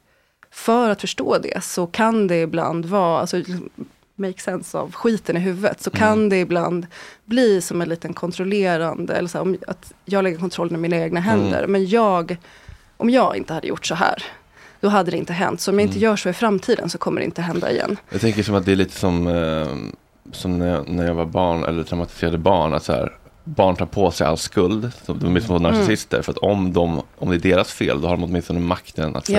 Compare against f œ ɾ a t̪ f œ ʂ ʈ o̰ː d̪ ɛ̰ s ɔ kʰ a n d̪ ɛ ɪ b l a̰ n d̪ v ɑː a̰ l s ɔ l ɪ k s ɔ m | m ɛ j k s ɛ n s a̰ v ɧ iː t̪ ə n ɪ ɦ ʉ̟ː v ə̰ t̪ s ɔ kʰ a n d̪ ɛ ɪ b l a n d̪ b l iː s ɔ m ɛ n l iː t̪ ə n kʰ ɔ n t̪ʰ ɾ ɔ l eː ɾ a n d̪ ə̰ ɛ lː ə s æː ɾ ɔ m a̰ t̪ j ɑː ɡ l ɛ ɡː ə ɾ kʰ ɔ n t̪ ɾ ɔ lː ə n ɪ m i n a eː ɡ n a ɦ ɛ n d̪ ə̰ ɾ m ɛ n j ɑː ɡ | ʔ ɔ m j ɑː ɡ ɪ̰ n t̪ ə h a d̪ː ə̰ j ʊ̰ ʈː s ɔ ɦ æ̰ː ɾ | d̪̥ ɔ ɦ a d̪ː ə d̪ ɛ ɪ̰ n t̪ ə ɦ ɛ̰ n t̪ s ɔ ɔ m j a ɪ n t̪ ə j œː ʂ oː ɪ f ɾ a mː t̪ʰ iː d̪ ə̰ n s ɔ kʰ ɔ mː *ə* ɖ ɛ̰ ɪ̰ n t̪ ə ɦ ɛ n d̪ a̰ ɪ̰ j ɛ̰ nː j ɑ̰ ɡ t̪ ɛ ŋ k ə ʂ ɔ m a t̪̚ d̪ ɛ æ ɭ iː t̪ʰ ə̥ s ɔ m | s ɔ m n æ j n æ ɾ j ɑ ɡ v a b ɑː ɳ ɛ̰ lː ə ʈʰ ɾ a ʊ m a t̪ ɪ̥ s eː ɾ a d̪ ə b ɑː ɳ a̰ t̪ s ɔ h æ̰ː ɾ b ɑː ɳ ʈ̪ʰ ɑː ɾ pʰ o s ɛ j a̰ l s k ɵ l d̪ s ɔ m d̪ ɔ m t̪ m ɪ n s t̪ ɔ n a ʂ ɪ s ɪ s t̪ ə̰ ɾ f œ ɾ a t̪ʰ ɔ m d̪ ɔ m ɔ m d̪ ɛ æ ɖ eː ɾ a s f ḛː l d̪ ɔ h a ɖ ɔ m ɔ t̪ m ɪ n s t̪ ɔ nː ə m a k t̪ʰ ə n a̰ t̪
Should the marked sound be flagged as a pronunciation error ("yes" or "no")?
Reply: no